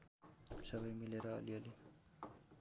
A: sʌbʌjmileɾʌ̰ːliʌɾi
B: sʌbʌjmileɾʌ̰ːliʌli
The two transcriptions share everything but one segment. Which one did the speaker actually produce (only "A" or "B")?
B